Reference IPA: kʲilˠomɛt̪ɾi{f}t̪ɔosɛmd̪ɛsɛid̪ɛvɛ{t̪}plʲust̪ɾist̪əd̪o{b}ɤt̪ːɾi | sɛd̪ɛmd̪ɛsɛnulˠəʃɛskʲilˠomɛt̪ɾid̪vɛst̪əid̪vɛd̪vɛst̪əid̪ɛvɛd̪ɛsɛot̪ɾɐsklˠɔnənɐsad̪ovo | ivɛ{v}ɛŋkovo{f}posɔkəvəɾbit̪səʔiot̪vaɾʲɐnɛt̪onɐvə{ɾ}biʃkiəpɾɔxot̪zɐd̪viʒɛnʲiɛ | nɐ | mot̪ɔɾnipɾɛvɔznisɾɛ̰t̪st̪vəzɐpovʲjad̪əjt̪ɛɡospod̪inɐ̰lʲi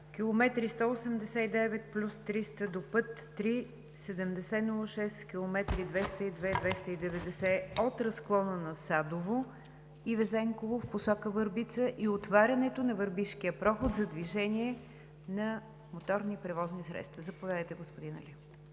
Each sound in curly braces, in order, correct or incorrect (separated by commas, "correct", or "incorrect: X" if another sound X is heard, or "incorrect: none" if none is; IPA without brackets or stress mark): incorrect: s, correct, incorrect: p, incorrect: z, correct, correct